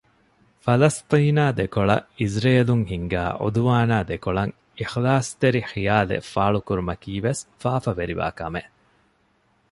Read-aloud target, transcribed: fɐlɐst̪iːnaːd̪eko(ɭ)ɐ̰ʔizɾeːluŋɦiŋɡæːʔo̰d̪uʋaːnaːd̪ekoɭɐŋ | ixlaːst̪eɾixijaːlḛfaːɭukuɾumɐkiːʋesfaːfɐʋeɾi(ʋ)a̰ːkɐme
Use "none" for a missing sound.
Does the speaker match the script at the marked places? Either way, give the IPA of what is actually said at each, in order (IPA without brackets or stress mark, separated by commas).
ɭ, ʋ